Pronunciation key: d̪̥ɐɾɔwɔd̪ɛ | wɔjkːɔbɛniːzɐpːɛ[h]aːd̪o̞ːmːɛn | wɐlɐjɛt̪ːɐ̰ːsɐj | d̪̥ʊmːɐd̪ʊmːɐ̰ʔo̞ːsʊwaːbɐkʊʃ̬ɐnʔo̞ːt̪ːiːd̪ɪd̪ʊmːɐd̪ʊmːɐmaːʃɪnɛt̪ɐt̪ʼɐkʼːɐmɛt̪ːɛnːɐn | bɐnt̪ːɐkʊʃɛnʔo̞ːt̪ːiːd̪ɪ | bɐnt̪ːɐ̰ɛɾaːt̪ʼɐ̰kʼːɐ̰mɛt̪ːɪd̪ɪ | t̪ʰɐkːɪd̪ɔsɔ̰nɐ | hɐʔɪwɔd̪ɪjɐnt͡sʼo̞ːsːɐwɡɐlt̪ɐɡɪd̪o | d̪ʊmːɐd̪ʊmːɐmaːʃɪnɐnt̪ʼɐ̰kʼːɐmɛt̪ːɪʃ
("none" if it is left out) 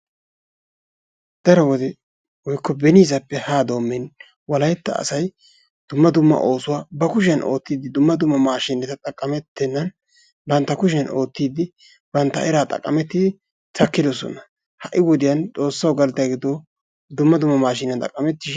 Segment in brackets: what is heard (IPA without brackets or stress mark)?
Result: h